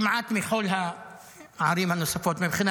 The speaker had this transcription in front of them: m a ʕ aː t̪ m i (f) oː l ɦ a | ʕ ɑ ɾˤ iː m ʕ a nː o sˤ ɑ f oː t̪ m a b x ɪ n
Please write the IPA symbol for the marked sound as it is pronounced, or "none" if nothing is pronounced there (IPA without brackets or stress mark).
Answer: x